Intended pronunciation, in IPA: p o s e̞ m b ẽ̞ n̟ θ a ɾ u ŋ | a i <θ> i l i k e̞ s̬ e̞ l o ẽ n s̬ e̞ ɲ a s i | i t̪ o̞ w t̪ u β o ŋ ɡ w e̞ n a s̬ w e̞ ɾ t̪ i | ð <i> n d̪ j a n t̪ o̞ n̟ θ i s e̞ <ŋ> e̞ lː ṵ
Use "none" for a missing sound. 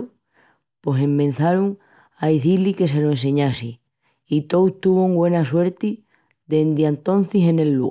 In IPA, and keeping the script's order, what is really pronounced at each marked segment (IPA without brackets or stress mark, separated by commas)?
θ, e, n